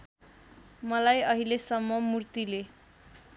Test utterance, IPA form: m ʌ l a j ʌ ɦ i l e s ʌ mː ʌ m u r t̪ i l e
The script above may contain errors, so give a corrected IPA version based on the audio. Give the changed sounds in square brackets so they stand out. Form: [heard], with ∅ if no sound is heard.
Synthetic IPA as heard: m ʌ l a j ʌ ɦ i l e s ʌ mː ʌ m u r t̪ i l e